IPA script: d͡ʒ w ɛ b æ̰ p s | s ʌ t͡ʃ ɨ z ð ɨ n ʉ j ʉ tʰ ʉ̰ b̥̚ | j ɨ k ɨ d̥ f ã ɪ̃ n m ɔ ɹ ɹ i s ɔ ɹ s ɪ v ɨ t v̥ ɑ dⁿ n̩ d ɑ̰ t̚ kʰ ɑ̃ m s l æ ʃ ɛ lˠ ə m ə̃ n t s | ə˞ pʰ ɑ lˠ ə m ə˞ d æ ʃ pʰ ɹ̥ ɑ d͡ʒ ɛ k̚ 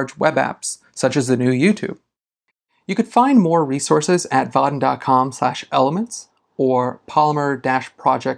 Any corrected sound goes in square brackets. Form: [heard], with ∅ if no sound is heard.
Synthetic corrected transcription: d͡ʒ w ɛ b æ̰ p s | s ʌ t͡ʃ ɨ z ð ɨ n ʉ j ʉ tʰ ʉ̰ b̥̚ | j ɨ k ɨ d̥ f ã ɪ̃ n m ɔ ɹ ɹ i s ɔ ɹ s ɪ [z] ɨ t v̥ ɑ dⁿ n̩ d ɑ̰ t̚ kʰ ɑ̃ m s l æ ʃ ɛ lˠ ə m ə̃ n t s | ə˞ pʰ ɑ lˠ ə m ə˞ d æ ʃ pʰ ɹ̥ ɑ d͡ʒ ɛ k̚